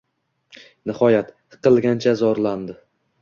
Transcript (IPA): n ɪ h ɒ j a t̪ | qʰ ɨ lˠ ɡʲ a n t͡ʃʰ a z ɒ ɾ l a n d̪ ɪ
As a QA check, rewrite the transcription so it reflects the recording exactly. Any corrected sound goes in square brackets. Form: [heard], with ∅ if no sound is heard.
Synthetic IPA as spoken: n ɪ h ɒ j a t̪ | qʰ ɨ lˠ ɡʲ a n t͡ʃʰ a z ɒ ɾ l a n d̪ ɪ